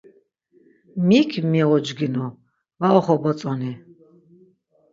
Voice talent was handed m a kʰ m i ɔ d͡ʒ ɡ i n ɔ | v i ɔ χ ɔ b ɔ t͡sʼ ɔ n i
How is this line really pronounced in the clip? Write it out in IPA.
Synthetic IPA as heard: m i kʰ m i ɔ d͡ʒ ɡ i n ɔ | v a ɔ χ ɔ b ɔ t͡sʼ ɔ n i